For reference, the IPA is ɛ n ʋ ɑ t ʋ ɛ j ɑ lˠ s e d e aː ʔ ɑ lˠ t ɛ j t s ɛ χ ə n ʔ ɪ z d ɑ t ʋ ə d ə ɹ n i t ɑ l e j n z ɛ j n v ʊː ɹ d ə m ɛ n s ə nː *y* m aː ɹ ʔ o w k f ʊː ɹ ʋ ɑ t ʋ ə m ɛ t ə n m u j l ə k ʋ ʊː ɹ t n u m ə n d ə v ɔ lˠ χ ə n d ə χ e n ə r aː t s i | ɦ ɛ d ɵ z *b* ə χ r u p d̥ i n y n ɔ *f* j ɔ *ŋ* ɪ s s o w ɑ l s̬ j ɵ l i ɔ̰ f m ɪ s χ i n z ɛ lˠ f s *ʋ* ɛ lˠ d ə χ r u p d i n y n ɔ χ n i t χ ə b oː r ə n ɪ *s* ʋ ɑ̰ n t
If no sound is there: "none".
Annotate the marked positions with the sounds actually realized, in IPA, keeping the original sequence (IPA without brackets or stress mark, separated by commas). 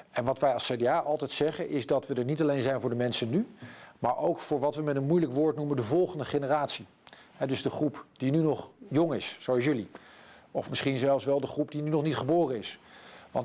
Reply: y, d, χ, ŋ, ʋ, s